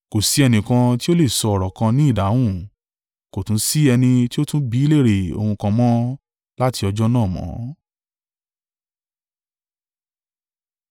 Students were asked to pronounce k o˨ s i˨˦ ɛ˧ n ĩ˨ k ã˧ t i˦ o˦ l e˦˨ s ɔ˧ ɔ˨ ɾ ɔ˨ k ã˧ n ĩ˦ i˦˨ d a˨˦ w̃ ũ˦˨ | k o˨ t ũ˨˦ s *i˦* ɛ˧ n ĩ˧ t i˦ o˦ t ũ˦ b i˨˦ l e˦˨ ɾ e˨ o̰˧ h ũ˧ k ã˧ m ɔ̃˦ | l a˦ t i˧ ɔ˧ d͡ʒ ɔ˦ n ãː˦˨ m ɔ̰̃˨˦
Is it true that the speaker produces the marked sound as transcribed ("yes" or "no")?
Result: yes